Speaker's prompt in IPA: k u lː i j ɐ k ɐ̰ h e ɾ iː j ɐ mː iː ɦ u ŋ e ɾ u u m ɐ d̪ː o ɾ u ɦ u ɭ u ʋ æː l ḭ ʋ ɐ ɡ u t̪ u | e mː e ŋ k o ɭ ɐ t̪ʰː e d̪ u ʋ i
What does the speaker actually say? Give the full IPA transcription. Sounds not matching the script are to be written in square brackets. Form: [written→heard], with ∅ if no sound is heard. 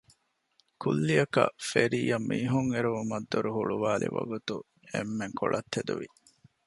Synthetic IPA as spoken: k u lː i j ɐ k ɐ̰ [h→f] e ɾ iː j ɐ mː iː ɦ u ŋ e ɾ u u m ɐ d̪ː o ɾ u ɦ u ɭ u ʋ [æː→aː] l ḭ ʋ ɐ ɡ u t̪ u | e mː e ŋ k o ɭ ɐ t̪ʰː e d̪ u ʋ i